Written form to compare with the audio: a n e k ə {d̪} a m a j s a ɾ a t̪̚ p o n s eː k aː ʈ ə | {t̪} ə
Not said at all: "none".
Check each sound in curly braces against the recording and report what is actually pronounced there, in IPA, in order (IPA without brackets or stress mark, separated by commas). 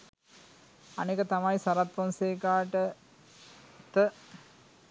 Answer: t̪, t̪